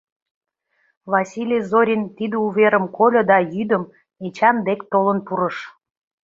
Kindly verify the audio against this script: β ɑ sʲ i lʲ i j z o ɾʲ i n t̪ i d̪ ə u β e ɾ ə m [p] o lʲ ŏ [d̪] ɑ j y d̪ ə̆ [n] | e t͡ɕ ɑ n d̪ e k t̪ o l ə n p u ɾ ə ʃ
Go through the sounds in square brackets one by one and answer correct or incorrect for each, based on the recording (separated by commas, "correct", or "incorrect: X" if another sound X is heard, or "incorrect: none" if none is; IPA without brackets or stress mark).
incorrect: k, correct, incorrect: m